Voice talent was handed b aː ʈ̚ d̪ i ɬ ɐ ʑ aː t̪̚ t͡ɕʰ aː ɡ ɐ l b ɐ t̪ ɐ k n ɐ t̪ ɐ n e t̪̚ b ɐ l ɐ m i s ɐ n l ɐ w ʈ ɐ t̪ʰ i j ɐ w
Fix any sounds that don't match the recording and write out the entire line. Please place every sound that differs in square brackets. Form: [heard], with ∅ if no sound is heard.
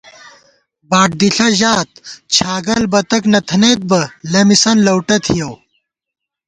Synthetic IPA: b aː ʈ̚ d̪ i ɬ ɐ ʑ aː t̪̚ t͡ɕʰ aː ɡ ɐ l b ɐ t̪ ɐ k n ɐ [t̪ʰ] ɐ n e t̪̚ b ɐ l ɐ m i s ɐ n l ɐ w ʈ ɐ t̪ʰ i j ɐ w